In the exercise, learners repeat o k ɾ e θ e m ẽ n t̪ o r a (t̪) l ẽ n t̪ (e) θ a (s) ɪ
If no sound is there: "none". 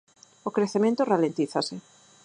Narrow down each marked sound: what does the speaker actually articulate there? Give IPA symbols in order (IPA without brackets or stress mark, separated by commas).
none, i, s